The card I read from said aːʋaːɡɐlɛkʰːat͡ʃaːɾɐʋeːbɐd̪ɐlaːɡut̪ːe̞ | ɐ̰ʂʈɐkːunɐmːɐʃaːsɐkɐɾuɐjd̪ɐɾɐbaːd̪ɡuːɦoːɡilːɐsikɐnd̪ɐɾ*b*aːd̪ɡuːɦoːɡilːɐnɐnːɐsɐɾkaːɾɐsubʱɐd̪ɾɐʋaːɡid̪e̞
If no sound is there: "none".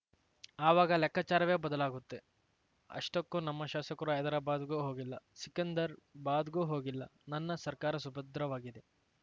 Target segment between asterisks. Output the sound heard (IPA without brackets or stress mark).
b